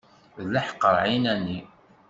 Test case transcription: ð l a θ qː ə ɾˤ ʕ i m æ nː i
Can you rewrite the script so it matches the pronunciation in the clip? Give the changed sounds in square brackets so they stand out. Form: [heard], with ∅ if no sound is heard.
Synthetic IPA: ð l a [ħ] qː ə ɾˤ ʕ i [n] æ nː i